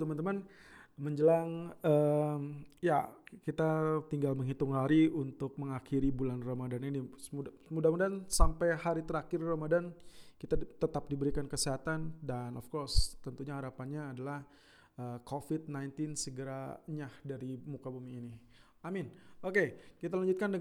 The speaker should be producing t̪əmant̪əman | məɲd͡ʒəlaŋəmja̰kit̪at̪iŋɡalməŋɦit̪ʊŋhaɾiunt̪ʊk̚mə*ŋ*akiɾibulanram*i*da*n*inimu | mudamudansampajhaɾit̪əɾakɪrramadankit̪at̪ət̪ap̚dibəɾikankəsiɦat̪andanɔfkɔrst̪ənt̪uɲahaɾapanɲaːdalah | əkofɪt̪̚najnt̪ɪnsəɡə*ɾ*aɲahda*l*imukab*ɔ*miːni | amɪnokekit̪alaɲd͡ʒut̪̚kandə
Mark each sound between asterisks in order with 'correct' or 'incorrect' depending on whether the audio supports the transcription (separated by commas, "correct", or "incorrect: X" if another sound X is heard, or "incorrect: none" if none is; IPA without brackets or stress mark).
correct, incorrect: a, correct, correct, incorrect: ɾ, incorrect: u